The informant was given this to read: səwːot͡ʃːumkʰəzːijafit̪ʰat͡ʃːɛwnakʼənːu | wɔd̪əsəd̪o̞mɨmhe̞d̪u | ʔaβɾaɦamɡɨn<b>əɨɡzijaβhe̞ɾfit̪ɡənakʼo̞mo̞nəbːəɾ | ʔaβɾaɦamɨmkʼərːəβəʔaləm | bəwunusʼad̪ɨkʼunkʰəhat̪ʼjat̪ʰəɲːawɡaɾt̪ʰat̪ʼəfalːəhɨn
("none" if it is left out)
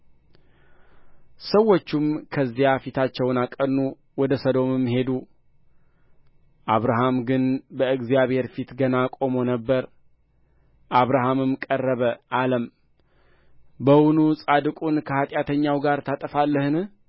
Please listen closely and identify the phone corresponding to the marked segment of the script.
b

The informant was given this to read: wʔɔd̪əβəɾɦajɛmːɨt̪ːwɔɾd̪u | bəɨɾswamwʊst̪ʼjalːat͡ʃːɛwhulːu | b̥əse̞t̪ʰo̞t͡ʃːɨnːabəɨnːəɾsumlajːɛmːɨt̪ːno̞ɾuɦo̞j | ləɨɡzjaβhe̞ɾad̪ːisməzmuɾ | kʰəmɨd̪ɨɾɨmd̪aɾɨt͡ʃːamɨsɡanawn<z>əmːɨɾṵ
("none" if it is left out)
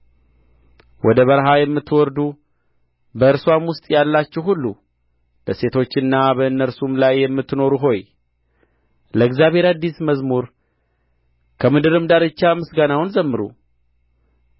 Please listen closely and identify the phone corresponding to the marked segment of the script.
z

